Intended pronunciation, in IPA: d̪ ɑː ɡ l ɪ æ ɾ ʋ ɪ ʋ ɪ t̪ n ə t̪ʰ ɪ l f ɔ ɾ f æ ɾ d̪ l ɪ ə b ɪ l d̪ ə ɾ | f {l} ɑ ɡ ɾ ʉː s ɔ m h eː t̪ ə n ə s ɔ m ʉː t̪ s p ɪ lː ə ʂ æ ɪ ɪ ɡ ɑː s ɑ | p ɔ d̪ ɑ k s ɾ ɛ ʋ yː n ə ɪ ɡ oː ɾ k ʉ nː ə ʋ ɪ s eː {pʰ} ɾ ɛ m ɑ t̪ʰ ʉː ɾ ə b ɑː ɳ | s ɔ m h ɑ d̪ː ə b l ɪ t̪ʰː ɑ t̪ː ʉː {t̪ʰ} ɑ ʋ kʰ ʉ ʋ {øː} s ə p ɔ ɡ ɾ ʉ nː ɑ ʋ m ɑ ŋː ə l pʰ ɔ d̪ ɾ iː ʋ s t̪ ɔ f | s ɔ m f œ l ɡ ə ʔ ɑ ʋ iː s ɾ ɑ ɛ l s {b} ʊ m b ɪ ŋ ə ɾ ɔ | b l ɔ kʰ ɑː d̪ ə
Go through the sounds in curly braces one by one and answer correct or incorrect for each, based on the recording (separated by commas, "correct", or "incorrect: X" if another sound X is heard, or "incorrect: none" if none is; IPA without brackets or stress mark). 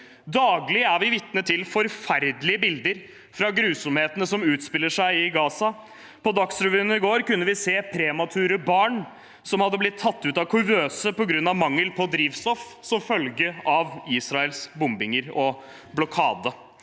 incorrect: ɾ, correct, incorrect: t̪, correct, correct